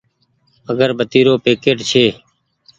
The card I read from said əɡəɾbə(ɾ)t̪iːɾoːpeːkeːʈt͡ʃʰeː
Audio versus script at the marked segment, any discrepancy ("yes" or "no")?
yes